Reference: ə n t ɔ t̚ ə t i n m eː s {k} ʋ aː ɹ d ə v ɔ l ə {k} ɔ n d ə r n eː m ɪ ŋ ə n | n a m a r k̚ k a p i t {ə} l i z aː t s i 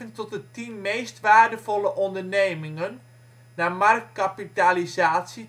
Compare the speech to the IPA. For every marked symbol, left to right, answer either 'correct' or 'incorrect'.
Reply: incorrect, incorrect, incorrect

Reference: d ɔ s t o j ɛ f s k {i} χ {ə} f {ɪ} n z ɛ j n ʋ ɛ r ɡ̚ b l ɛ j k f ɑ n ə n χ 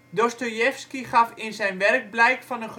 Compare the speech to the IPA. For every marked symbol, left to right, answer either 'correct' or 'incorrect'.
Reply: correct, incorrect, correct

